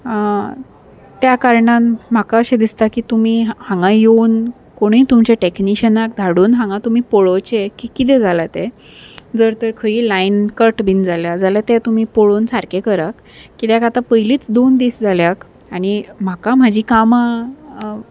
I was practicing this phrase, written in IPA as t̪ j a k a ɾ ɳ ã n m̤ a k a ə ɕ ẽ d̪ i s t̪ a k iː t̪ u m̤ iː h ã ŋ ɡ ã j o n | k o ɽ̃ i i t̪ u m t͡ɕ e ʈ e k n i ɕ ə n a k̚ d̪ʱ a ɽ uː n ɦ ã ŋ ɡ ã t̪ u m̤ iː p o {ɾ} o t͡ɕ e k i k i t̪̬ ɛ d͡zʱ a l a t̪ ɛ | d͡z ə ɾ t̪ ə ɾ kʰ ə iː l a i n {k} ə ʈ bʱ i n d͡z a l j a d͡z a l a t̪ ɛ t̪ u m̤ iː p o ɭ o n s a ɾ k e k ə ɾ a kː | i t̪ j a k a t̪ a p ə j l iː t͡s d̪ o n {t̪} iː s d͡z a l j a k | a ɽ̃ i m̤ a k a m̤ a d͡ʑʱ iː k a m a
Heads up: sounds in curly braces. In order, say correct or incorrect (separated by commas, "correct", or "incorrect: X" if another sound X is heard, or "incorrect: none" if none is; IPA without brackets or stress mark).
incorrect: ɭ, correct, incorrect: d̪